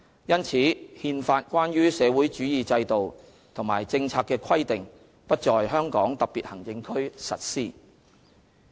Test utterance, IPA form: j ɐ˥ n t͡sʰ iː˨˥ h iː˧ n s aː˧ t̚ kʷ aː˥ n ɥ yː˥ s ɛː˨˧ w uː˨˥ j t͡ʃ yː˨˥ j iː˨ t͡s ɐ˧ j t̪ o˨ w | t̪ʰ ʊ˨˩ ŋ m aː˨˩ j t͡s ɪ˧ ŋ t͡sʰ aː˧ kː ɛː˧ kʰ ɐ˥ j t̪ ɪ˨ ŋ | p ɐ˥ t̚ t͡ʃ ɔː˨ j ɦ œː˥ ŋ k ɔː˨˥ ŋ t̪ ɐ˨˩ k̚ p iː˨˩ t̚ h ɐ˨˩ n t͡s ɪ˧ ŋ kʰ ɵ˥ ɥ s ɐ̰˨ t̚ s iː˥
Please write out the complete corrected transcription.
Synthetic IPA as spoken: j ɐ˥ n t͡sʰ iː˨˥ h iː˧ n f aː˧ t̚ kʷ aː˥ n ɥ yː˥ s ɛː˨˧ w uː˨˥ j t͡ʃ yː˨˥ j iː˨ t͡s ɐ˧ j t̪ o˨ w | t̪ʰ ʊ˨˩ ŋ m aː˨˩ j t͡s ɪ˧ ŋ t͡sʰ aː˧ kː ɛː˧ kʰ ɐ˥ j t̪ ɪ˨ ŋ | p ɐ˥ t̚ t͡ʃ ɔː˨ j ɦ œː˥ ŋ k ɔː˨˥ ŋ t̪ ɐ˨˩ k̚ p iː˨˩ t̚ h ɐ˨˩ ŋ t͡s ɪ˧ ŋ kʰ ɵ˥ ɥ s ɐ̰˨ t̚ s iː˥